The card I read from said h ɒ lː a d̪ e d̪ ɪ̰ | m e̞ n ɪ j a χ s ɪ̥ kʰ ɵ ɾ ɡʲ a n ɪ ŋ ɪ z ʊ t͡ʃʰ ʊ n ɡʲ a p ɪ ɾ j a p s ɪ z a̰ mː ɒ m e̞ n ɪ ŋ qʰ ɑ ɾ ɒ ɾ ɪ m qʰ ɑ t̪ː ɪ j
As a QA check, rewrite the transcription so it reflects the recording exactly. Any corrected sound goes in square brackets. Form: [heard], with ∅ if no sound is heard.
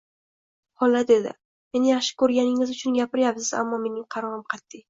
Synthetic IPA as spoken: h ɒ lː a d̪ e d̪ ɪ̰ | m e̞ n ɪ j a χ [ʃ] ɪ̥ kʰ ɵ ɾ ɡʲ a n ɪ ŋ ɪ z ʊ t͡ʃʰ ʊ n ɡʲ a p ɪ ɾ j a p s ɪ z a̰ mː ɒ m e̞ n ɪ ŋ qʰ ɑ ɾ ɒ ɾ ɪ m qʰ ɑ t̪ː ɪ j